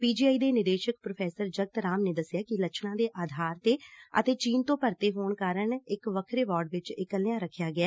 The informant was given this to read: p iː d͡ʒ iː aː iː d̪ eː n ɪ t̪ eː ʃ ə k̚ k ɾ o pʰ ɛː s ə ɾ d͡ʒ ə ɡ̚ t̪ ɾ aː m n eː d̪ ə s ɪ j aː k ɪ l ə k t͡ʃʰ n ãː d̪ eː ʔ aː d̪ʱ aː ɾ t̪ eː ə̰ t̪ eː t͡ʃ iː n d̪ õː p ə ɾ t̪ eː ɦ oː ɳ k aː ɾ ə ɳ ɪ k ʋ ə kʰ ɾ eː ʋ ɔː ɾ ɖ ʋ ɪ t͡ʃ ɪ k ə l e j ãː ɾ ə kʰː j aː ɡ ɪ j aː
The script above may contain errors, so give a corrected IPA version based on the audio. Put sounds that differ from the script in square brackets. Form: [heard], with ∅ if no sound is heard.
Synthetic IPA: p iː d͡ʒ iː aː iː d̪ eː n ɪ [d̪] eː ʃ ə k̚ [p] ɾ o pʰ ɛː s ə ɾ d͡ʒ ə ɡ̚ t̪ ɾ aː m n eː d̪ ə s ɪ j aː k ɪ l ə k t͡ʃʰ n ãː d̪ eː ʔ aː d̪ʱ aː ɾ t̪ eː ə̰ t̪ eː t͡ʃ iː n [t̪] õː p ə ɾ t̪ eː ɦ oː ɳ k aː ɾ ə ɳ ɪ k ʋ ə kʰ ɾ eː ʋ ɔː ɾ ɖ ʋ ɪ t͡ʃ ɪ k ə l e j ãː ɾ ə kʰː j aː ɡ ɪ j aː